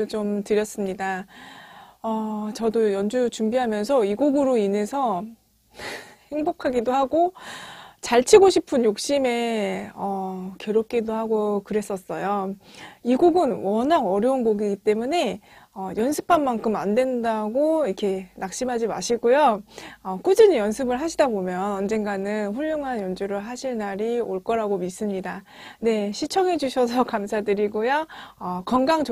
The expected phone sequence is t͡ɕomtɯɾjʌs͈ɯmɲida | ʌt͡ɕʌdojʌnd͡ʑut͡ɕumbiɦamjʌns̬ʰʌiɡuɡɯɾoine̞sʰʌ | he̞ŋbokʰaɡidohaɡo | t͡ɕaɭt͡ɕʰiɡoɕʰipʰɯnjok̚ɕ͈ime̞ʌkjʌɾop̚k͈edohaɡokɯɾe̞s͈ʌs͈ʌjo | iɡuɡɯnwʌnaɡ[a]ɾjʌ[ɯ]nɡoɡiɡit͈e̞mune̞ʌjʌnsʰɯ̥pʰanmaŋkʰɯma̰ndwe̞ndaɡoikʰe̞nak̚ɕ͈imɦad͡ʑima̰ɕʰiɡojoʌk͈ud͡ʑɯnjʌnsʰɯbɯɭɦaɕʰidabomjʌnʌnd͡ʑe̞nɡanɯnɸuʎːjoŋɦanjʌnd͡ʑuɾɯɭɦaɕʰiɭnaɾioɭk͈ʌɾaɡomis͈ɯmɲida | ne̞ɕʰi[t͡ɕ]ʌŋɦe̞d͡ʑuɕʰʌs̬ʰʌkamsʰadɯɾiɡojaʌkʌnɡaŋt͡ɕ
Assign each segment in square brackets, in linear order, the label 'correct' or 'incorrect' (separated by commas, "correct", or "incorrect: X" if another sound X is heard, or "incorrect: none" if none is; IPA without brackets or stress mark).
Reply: incorrect: ʌ, incorrect: u, incorrect: t͡ɕʰ